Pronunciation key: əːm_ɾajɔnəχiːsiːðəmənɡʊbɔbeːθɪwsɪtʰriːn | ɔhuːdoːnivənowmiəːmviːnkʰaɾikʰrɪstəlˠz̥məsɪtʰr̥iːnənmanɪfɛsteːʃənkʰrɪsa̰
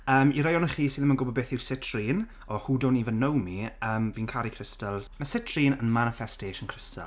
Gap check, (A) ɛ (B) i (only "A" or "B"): B